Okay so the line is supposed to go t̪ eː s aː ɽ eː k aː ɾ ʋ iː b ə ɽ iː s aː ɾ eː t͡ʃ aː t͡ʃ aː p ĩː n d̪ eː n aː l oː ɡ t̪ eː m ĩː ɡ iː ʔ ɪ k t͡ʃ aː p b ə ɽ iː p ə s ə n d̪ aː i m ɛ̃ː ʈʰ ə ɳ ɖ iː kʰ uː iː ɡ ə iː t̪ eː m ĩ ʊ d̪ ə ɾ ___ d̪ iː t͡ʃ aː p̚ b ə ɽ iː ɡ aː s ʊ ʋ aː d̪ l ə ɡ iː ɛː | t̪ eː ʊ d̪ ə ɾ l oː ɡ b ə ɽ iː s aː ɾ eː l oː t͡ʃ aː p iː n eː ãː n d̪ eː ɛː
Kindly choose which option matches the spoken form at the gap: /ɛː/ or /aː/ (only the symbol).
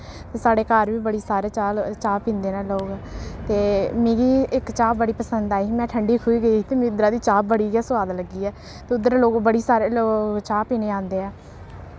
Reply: aː